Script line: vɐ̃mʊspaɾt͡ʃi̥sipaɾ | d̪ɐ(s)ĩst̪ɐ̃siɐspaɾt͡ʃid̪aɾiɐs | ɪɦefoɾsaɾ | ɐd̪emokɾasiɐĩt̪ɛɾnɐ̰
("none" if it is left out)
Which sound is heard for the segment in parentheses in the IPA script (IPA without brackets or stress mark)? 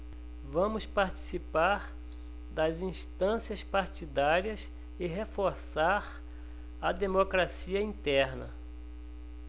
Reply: z